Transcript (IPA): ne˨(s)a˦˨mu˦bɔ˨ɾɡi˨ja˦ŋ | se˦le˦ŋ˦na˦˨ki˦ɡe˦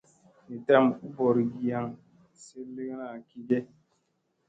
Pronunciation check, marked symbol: incorrect: t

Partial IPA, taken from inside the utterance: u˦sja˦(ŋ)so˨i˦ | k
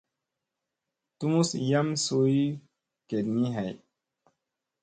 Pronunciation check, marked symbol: incorrect: m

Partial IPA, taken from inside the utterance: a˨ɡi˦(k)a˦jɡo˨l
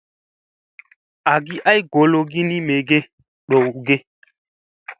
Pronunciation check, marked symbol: incorrect: ʔ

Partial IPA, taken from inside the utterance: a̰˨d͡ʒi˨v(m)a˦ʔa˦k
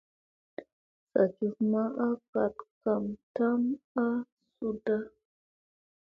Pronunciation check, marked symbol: correct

